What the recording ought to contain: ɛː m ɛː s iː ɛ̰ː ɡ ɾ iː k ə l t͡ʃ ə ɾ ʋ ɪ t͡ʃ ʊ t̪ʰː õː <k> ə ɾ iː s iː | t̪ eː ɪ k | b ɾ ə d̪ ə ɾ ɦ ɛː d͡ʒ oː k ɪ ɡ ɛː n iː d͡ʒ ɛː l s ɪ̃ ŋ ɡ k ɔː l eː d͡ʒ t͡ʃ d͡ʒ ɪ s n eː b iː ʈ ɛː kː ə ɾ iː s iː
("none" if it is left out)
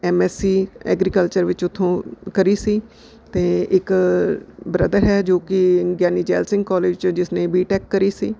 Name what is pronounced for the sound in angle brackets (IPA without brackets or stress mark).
k